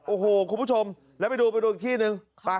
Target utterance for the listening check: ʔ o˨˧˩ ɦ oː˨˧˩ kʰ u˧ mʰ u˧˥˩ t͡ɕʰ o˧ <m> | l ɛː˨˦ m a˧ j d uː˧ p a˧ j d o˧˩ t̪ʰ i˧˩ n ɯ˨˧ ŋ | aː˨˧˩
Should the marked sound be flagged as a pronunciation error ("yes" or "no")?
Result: no